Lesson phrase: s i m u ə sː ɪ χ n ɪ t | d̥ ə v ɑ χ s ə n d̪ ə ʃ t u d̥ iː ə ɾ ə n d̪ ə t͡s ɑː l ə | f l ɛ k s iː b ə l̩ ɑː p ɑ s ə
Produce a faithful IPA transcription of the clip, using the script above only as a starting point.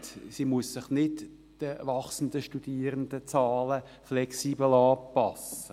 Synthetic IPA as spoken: s i m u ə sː ɪ χ n ɪ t | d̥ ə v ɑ χ s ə n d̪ ə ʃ t u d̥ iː ə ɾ ə n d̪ ə t͡s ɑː l ə | f l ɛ k s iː b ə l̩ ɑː p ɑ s ə